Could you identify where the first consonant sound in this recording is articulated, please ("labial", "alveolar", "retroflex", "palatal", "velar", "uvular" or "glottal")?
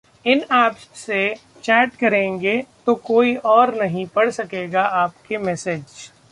alveolar